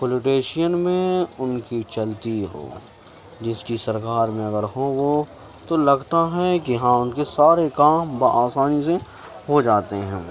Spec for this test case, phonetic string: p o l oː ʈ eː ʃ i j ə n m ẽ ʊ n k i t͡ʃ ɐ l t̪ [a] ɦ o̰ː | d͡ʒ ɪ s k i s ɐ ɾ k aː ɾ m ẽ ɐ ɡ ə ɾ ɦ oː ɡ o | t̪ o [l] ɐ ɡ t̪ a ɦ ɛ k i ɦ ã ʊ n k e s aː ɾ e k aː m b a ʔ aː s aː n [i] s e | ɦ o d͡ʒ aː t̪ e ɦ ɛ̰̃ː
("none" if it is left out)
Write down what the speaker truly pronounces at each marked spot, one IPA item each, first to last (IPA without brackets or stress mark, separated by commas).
i, l, i